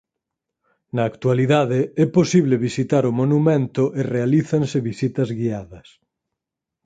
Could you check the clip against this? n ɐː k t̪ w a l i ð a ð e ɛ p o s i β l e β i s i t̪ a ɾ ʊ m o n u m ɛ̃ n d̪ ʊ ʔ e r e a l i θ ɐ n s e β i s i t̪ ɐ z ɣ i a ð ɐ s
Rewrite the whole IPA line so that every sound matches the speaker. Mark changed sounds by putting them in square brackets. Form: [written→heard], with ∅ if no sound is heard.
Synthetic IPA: n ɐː k t̪ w a l i ð a ð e ɛ p o s i β l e β i s i t̪ a ɾ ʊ m o n u m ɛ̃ n [d̪→t̪] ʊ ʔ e r e a l i θ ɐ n s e β i s i t̪ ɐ z ɣ i a ð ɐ s